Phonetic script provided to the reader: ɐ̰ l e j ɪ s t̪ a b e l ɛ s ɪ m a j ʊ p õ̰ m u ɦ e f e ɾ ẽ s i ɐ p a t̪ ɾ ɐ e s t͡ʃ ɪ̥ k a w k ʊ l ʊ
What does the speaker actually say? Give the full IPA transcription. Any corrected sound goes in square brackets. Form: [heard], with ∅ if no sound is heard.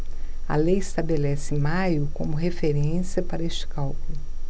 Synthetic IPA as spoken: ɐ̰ l e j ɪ s t̪ a b e l ɛ s ɪ m a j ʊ [k] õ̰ m [ʊ] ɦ e f e ɾ ẽ s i ɐ p a [∅] ɾ ɐ e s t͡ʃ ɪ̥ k a w k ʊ l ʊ